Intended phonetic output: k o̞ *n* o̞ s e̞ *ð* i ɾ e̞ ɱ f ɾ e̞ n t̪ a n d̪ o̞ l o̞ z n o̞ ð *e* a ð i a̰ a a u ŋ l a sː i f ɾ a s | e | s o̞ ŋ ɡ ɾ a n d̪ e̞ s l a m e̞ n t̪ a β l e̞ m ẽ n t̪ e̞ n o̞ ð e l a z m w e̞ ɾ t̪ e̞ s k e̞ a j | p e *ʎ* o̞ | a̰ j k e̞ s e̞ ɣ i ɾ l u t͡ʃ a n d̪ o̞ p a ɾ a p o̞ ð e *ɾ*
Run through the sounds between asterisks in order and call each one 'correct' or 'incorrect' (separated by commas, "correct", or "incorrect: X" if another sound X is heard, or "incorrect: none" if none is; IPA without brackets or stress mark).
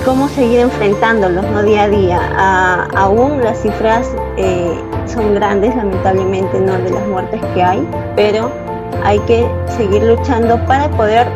incorrect: m, incorrect: ɣ, incorrect: i, incorrect: ɾ, correct